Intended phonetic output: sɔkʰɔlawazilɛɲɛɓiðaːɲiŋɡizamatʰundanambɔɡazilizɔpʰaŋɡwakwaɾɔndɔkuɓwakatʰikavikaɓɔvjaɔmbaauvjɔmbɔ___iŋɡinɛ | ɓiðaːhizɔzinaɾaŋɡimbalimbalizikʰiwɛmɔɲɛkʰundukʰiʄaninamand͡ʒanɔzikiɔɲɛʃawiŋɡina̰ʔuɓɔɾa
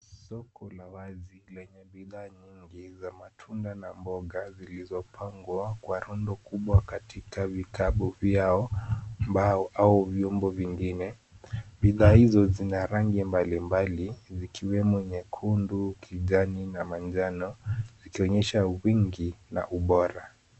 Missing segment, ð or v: v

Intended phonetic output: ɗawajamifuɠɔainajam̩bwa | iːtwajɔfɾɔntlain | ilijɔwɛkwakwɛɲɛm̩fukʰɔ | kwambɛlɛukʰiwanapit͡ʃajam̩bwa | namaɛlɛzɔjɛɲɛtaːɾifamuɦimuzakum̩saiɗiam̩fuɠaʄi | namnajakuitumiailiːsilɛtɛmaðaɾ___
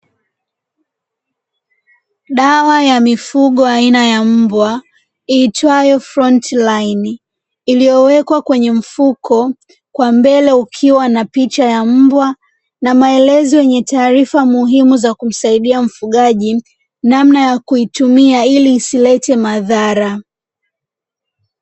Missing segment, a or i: a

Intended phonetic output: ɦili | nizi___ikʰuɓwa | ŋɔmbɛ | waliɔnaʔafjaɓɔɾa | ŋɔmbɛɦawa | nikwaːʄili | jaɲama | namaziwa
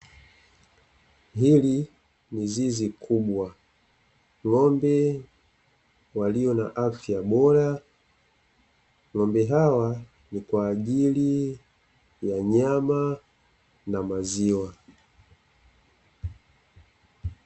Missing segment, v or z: z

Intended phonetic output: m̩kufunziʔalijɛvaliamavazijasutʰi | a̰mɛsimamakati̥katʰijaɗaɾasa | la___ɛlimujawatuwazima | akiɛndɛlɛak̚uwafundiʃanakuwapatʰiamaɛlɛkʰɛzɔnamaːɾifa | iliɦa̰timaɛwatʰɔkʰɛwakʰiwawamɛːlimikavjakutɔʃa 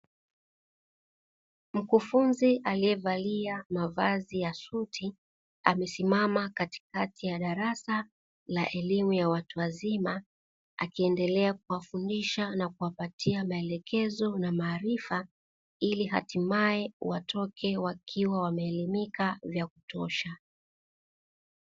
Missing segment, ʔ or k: ʔ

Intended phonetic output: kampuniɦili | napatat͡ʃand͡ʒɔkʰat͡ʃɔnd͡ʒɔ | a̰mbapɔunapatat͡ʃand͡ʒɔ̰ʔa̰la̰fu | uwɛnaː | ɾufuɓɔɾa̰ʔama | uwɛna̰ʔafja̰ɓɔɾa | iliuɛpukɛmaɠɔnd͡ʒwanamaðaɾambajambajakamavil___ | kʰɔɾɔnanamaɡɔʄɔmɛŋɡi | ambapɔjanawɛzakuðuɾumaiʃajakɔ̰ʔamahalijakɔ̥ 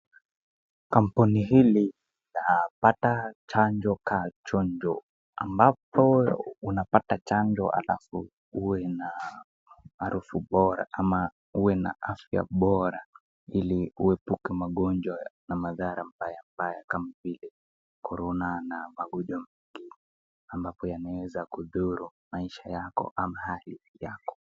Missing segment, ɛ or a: ɛ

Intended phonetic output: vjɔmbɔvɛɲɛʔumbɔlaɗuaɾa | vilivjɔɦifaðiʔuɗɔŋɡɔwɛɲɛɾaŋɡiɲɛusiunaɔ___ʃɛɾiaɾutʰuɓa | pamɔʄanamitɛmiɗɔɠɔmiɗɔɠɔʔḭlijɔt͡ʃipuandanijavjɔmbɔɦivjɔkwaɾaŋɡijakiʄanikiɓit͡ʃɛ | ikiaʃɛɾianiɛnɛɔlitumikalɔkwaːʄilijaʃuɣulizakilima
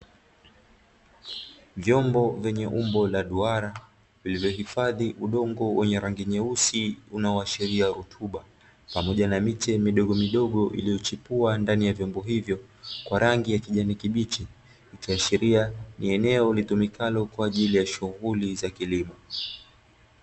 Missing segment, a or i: a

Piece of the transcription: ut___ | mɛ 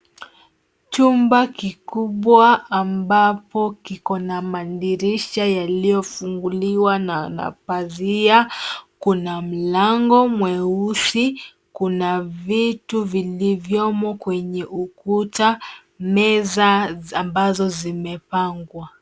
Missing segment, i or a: a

